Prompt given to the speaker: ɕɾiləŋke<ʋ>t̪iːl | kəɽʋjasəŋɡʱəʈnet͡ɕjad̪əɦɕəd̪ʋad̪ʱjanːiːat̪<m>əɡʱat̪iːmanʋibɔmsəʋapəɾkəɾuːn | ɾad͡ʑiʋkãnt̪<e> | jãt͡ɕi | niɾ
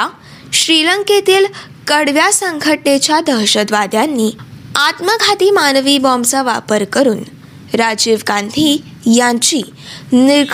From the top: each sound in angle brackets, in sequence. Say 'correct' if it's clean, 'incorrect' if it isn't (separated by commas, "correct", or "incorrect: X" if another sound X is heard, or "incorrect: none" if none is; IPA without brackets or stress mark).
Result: incorrect: none, correct, incorrect: i